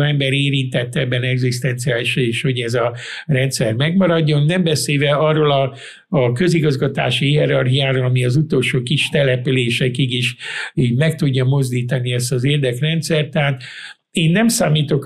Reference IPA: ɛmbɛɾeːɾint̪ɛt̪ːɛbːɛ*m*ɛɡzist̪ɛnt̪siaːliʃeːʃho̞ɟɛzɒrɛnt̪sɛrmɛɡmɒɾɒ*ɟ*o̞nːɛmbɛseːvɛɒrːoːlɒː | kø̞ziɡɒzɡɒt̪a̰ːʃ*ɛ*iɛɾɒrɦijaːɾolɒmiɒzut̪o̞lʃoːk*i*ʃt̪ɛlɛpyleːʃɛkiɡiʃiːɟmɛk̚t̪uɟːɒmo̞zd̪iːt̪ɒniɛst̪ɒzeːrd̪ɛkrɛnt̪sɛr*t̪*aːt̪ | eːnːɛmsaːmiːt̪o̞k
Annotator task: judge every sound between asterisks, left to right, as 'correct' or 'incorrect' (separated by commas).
incorrect, incorrect, incorrect, correct, correct